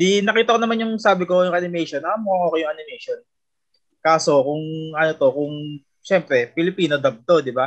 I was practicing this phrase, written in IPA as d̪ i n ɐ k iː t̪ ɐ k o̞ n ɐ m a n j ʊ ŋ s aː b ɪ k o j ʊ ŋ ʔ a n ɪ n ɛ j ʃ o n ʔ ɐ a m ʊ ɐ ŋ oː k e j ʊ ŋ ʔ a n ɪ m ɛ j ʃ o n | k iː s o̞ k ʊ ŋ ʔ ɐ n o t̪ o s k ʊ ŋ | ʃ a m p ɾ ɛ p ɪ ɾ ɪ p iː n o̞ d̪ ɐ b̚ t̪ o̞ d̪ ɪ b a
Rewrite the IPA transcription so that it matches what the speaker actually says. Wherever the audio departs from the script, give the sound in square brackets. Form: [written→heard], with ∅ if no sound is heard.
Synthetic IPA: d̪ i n ɐ k iː t̪ ɐ k o̞ n ɐ m a n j ʊ ŋ s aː b ɪ k o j ʊ ŋ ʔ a n ɪ [n→m] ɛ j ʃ o n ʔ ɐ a m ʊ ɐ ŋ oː k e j ʊ ŋ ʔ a n ɪ m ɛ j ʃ o n | k [iː→aː] s o̞ k ʊ ŋ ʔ ɐ n o t̪ o [s→∅] k ʊ ŋ | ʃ [a→ɛ] m p ɾ ɛ p ɪ [ɾ→l] ɪ p iː n o̞ d̪ ɐ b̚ t̪ o̞ d̪ ɪ b a